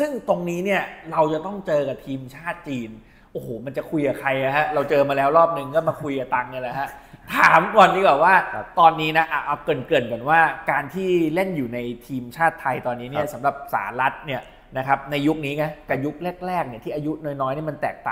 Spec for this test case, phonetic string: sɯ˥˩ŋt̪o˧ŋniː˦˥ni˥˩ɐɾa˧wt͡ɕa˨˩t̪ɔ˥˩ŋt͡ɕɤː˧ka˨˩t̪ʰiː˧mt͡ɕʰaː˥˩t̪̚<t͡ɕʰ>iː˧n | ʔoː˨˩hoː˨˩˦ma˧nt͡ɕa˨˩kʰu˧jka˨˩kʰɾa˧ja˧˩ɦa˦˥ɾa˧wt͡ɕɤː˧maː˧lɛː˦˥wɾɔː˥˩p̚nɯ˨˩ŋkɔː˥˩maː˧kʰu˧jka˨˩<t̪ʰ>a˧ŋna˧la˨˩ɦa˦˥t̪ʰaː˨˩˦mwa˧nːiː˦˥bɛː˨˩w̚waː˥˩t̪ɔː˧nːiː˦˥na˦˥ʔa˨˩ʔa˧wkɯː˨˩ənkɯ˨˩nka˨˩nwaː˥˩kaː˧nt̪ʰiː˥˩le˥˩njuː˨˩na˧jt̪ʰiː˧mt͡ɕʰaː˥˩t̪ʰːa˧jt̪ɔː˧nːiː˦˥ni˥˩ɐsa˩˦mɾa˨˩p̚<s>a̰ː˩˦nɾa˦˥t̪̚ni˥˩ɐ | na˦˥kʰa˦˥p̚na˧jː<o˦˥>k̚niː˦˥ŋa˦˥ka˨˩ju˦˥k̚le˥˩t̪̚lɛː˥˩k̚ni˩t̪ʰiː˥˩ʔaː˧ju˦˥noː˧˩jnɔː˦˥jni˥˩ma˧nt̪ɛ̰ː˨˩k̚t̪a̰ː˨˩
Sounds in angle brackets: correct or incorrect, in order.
incorrect: t͡ɕ, incorrect: t̪, correct, incorrect: u˦˥

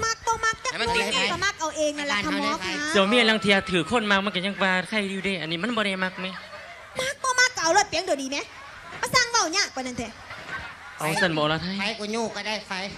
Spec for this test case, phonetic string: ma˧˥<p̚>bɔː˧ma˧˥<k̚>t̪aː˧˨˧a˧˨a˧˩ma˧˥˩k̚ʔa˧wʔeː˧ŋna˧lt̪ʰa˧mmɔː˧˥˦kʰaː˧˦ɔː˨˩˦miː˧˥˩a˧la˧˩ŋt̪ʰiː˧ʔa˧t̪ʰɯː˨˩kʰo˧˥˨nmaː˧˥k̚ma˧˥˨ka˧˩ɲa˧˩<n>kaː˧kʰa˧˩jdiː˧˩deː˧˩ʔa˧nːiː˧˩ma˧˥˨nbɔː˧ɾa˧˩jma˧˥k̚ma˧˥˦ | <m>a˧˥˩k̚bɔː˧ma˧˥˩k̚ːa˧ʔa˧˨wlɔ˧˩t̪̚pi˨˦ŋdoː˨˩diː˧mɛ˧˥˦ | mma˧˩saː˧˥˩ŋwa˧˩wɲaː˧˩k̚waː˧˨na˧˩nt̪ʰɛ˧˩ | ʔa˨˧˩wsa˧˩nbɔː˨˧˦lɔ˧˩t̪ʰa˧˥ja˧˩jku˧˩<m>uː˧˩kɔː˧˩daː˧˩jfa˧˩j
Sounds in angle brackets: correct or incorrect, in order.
incorrect: k̚, correct, incorrect: ŋ, correct, incorrect: ɲ

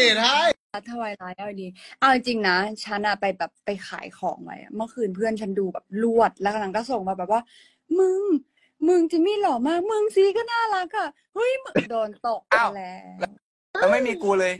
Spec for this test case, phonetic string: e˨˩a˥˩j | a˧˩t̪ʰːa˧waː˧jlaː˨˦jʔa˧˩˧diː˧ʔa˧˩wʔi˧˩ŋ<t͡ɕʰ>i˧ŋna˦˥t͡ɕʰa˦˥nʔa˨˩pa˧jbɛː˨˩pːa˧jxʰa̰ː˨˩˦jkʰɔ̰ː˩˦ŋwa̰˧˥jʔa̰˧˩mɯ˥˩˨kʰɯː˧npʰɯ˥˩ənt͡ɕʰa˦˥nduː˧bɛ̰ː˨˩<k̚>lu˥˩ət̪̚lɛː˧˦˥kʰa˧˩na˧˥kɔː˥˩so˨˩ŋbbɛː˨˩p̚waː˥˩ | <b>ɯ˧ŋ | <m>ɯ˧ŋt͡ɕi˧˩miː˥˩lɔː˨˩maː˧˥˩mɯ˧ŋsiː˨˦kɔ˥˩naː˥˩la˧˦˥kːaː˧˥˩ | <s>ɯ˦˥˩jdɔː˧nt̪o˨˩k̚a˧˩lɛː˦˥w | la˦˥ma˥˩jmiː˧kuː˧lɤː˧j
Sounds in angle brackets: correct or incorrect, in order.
incorrect: t͡ɕ, incorrect: p̚, incorrect: m, correct, incorrect: h

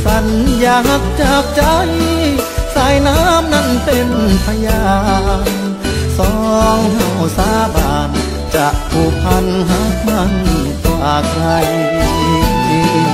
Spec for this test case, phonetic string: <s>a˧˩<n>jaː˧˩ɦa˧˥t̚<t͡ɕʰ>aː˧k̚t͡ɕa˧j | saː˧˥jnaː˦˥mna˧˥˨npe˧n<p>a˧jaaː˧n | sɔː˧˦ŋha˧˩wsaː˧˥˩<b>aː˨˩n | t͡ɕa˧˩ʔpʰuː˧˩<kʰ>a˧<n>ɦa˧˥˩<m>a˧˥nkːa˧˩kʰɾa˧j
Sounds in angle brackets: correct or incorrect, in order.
correct, correct, incorrect: t͡ɕ, incorrect: pʰ, correct, incorrect: pʰ, correct, correct

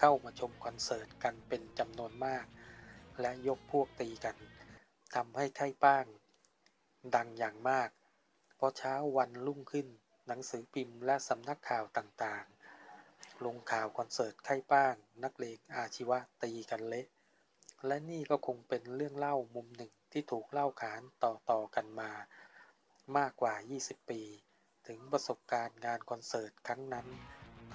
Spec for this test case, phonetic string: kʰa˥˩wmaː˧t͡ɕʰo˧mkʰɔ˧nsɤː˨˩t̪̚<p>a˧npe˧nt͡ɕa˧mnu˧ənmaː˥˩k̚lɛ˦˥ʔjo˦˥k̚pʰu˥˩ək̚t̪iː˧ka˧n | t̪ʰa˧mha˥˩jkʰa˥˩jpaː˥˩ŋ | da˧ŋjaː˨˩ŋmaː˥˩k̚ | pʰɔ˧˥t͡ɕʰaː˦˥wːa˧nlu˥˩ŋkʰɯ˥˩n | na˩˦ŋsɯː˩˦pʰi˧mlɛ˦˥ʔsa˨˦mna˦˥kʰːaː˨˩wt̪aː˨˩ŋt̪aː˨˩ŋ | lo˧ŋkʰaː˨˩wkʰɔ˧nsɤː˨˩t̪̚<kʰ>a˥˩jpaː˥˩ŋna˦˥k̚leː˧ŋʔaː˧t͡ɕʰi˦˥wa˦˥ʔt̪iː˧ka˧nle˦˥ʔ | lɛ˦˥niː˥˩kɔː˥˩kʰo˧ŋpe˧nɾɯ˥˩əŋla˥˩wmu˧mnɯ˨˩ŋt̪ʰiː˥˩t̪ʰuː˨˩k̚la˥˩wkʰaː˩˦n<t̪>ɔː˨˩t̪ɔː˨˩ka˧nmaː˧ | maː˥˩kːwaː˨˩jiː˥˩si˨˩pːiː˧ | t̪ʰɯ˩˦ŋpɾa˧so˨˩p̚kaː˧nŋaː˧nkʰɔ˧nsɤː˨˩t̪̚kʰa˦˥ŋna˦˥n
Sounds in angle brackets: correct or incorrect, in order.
incorrect: k, correct, correct

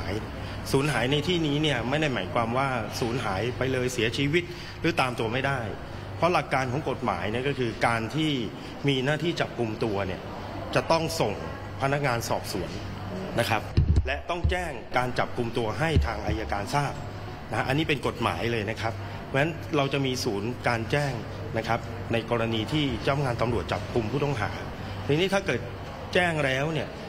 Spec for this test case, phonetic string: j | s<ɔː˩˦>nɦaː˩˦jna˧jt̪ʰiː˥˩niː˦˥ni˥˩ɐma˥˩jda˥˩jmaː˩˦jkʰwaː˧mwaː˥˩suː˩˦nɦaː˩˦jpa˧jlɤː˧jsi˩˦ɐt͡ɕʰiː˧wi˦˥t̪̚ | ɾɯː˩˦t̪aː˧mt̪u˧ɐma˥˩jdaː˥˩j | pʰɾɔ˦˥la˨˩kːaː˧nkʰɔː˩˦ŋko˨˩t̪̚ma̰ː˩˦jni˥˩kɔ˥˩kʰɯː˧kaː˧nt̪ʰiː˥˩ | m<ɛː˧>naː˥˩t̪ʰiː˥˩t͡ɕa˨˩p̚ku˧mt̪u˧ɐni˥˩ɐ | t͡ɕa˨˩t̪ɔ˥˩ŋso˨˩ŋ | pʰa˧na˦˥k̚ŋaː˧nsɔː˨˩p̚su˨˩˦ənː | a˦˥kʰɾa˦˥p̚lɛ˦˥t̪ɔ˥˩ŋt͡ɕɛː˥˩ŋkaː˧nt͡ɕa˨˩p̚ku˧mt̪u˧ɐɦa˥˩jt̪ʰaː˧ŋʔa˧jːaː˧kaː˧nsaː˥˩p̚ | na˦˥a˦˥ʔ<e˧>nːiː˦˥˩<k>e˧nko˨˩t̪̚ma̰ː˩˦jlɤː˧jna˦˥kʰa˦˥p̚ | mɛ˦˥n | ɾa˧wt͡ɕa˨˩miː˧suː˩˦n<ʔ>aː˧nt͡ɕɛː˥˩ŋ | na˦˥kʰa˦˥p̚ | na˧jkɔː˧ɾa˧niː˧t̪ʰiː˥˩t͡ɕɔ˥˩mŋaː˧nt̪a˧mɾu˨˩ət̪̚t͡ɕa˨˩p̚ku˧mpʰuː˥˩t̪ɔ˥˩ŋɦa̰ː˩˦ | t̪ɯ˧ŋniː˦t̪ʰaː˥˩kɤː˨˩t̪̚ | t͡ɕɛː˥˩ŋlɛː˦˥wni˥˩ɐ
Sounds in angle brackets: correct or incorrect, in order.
incorrect: uː˩˦, incorrect: iː˧, incorrect: a˧, incorrect: p, incorrect: k

